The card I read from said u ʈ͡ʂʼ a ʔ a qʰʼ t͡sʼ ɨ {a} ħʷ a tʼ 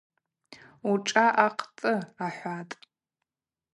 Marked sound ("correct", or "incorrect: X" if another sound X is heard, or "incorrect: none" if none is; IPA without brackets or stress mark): correct